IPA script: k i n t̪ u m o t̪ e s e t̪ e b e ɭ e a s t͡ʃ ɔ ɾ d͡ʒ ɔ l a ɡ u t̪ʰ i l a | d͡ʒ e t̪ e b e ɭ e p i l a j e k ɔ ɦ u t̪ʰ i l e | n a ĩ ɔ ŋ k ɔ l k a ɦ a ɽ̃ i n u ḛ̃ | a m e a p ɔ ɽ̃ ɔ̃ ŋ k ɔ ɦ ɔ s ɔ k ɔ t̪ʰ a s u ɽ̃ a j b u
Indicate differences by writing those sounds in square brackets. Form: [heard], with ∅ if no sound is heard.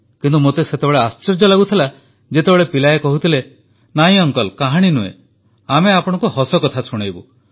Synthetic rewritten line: k i n t̪ u m o t̪ e s e t̪ e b e ɭ e a s t͡ʃ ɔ ɾ d͡ʒ ɔ l a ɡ u t̪ʰ i l a | d͡ʒ e t̪ e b e ɭ e p i l a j e k ɔ ɦ u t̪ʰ i l e | n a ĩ ɔ ŋ k ɔ l k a ɦ a ɽ̃ i n u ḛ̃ | a m e a p ɔ ɽ̃ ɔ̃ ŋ k [u] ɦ ɔ s ɔ k ɔ t̪ʰ a s u ɽ̃ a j b u